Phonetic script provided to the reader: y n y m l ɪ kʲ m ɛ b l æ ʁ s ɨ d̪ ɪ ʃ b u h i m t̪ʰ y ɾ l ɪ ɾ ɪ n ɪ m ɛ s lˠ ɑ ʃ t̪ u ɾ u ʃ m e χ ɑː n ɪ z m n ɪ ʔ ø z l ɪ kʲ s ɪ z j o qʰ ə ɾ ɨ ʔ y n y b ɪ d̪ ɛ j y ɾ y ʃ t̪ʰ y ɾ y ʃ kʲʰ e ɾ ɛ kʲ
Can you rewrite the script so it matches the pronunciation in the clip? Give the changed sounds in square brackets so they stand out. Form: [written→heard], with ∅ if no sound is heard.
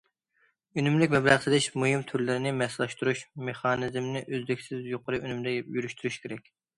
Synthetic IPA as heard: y n y m l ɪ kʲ m ɛ b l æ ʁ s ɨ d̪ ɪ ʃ [b→m] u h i m t̪ʰ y ɾ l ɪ ɾ ɪ n ɪ m ɛ s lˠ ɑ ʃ t̪ u ɾ u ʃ m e χ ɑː n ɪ z m n ɪ ʔ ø z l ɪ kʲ s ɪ z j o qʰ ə ɾ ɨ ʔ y n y [b→m] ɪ d̪ ɛ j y ɾ y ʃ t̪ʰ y ɾ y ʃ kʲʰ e ɾ ɛ kʲ

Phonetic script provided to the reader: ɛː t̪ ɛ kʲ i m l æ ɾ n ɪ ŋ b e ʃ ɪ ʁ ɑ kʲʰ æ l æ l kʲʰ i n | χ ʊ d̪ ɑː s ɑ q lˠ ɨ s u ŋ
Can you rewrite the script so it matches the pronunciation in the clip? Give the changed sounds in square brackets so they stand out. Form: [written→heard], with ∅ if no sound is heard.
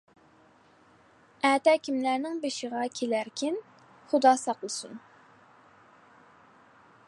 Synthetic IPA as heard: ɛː t̪ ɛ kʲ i m l æ ɾ n ɪ ŋ b e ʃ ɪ ʁ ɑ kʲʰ [æ→e] l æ [l→ɾ] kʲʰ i n | χ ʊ d̪ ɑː s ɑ q lˠ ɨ s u [ŋ→n]

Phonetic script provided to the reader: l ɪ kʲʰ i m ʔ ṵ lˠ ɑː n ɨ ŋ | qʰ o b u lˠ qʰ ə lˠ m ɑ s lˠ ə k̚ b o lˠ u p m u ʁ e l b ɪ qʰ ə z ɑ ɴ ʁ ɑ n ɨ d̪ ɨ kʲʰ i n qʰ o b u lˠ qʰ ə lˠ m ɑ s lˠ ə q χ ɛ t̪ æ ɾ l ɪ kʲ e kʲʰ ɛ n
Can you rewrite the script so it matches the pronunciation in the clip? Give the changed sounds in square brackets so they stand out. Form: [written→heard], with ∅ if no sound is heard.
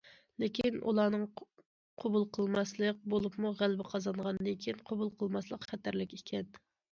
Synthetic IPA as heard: l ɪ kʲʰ i [m→n] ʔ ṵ lˠ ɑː n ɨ ŋ | qʰ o b u lˠ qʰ ə lˠ m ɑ s lˠ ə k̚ b o lˠ u p m u ʁ [e→æ] l b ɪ qʰ [ə→ɑ] z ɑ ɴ ʁ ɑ n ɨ d̪ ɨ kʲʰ i n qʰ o b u lˠ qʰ ə lˠ m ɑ s lˠ ə q χ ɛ t̪ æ ɾ l ɪ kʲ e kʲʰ ɛ n

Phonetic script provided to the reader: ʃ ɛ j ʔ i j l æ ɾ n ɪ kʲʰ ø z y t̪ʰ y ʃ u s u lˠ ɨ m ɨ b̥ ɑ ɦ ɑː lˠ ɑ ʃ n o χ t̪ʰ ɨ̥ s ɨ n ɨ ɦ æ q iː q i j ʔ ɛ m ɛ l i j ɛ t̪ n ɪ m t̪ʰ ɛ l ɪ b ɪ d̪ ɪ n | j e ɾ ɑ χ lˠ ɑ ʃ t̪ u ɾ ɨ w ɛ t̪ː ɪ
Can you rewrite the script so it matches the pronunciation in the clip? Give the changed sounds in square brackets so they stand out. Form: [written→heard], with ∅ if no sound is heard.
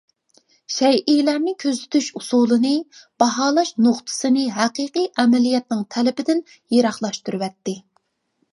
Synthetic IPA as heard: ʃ ɛ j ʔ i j l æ ɾ n ɪ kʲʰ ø z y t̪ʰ y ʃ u s u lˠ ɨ [m→n] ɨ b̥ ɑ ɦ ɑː lˠ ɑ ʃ n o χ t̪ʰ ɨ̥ s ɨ n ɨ ɦ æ q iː q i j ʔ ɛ m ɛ l i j ɛ t̪ n ɪ [m→ŋ] t̪ʰ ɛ l ɪ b ɪ d̪ ɪ n | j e ɾ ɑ χ lˠ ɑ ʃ t̪ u ɾ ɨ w ɛ t̪ː ɪ

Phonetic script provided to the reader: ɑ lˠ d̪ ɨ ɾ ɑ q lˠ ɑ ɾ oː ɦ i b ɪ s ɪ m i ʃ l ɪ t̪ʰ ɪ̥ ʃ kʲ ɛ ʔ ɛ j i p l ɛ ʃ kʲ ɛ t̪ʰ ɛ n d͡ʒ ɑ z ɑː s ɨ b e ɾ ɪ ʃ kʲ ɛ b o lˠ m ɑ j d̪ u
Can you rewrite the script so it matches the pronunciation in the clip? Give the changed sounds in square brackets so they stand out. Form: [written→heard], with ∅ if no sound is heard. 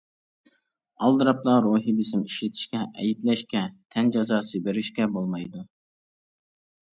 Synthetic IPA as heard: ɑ lˠ d̪ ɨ ɾ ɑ [q→p] lˠ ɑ ɾ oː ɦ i b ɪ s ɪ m i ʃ l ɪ t̪ʰ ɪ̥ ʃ kʲ ɛ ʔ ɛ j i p l ɛ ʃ kʲ ɛ t̪ʰ ɛ n d͡ʒ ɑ z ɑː s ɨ b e ɾ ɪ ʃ kʲ ɛ b o lˠ m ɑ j d̪ u

